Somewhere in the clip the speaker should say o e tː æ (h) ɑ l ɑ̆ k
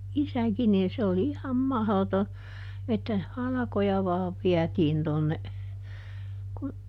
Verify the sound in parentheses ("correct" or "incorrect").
correct